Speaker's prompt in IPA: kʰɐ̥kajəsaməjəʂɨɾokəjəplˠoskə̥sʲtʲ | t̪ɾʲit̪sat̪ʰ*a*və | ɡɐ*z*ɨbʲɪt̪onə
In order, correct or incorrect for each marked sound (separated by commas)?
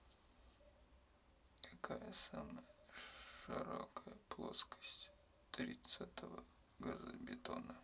incorrect, correct